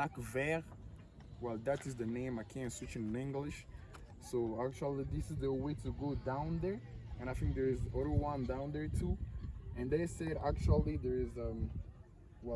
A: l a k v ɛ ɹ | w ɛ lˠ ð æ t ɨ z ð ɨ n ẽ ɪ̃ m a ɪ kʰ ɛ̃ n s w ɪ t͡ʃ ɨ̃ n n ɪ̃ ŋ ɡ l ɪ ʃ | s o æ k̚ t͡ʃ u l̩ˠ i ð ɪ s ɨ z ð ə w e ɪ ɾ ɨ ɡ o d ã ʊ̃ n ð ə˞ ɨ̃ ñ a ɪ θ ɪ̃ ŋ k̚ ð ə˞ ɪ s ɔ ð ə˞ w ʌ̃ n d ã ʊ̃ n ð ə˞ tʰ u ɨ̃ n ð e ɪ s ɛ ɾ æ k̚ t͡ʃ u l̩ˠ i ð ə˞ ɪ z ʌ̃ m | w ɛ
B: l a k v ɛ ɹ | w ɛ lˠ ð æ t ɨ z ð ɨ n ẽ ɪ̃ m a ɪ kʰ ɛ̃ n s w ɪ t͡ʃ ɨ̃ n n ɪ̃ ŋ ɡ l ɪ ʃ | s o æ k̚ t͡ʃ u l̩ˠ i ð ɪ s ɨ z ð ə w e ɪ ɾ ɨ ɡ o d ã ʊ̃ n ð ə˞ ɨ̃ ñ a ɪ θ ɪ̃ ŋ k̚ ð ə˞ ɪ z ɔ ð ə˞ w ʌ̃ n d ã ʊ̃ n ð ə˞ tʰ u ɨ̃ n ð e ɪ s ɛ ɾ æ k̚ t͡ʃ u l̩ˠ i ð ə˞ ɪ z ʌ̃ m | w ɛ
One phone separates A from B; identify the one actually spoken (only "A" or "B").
B